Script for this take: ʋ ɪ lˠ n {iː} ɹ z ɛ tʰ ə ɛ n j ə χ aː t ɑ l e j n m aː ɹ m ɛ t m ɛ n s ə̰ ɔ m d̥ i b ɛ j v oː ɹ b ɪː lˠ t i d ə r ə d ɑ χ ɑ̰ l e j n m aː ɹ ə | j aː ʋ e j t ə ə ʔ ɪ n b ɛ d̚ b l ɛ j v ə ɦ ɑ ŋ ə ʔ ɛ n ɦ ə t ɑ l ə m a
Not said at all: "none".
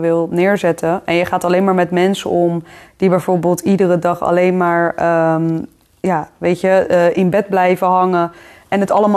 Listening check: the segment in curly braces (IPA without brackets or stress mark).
ɪː